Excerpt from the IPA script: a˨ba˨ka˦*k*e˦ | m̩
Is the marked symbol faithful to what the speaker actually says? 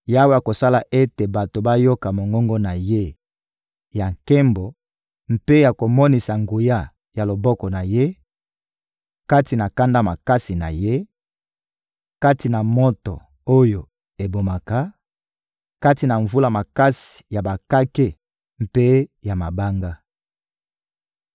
yes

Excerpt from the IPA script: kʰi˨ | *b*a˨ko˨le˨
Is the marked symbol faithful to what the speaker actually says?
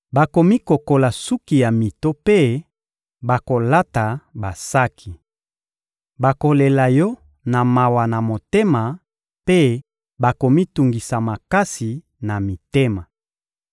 yes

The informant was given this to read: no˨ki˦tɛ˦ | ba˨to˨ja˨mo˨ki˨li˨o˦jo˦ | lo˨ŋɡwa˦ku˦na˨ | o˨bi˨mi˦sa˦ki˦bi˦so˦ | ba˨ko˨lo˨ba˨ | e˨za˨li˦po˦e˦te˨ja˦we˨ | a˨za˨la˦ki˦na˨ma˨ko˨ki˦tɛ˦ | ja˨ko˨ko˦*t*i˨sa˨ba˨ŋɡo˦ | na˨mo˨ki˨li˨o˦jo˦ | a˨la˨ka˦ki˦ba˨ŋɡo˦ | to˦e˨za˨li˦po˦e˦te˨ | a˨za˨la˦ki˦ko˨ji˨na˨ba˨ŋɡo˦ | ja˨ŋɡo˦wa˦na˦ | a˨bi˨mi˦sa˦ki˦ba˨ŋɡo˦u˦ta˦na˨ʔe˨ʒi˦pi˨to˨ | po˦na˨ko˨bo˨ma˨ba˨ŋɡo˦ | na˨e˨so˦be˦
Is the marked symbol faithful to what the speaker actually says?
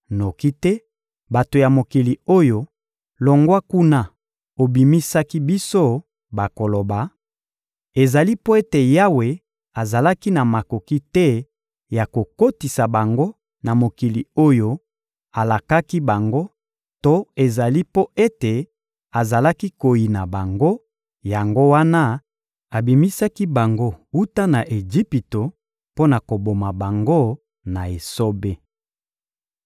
yes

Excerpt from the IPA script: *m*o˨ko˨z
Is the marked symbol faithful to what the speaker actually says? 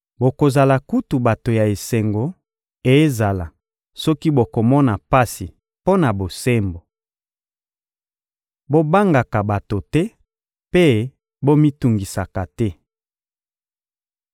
no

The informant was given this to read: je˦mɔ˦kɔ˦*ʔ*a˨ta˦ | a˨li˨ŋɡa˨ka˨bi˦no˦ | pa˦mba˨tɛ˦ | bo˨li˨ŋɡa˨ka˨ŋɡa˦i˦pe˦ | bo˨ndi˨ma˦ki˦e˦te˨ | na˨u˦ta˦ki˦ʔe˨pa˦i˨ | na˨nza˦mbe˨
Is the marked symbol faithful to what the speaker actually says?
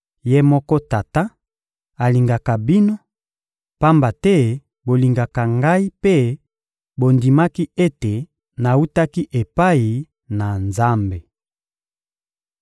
no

